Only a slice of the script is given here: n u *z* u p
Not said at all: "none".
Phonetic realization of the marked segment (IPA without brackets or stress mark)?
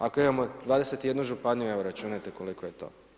ʒ